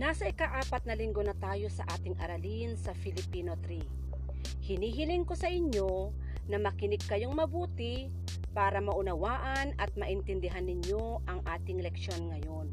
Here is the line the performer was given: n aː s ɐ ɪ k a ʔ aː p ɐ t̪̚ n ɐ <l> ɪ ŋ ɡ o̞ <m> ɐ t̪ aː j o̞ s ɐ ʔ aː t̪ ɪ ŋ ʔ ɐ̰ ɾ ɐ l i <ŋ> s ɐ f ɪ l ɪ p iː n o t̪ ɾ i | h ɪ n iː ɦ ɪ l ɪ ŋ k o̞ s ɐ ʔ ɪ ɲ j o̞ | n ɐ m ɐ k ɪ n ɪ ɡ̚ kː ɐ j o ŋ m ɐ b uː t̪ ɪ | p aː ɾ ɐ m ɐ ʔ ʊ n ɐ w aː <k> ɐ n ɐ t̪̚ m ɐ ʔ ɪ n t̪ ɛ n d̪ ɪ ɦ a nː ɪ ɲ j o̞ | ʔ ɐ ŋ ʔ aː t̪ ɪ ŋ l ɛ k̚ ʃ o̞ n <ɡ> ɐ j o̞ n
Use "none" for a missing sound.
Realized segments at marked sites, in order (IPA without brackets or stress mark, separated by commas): l, n, n, ʔ, ŋ